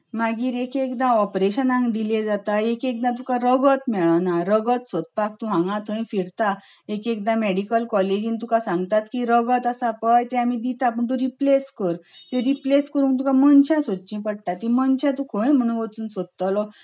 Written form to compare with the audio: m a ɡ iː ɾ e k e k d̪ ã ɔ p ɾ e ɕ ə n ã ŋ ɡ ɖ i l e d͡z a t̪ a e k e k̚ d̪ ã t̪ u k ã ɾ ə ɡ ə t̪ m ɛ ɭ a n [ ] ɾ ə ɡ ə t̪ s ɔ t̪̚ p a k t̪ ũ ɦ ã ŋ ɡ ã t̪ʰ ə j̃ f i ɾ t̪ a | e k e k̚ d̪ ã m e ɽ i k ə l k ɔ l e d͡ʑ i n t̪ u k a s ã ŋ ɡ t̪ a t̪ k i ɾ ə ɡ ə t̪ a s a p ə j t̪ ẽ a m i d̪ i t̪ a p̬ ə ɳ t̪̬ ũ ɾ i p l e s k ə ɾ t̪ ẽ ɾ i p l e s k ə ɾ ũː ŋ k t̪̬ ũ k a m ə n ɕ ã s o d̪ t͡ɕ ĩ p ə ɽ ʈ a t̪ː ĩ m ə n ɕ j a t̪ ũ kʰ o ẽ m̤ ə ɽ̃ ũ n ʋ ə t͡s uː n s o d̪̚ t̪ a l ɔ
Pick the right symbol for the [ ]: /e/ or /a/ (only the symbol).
a